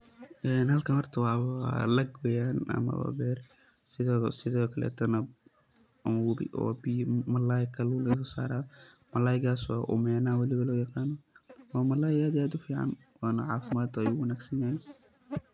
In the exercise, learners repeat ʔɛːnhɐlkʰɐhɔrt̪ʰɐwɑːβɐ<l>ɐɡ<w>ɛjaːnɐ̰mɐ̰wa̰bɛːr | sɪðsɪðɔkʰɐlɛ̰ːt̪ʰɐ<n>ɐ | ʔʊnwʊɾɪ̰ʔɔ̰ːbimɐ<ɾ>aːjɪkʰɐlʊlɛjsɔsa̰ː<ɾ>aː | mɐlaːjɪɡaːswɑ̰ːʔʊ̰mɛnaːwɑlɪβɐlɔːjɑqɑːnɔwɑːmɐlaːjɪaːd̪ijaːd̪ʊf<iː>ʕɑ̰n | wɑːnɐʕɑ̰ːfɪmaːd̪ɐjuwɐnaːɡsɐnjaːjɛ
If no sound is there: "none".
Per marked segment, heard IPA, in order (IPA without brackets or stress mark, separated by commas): l, w, n, l, ɾ, iː